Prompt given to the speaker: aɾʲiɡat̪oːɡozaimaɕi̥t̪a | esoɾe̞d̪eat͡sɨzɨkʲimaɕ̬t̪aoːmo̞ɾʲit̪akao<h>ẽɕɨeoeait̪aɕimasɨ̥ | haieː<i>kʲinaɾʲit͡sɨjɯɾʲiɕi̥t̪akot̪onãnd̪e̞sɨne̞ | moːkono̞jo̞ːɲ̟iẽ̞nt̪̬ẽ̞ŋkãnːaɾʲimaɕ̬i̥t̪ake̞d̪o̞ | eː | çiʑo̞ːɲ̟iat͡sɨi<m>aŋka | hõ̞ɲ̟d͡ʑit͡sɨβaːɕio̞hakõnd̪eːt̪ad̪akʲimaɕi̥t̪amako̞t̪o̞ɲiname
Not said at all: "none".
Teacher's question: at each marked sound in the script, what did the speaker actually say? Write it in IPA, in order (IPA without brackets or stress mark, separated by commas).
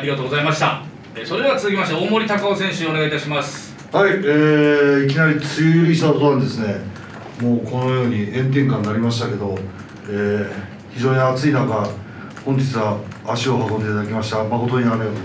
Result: s, i, n